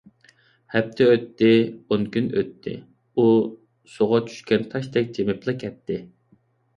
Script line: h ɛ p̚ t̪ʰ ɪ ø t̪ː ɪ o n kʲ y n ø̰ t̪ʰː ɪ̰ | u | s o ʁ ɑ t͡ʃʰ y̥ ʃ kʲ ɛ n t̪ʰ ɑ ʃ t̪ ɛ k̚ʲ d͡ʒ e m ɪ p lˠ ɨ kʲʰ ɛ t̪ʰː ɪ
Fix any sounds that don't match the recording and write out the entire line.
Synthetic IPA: h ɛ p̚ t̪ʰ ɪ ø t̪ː ɪ o n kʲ y n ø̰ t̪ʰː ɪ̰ | u | s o ʁ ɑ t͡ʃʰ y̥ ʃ kʲ ɛ n t̪ʰ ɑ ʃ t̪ ɛ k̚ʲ d͡ʒ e m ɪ p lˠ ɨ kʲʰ ɛ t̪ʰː ɪ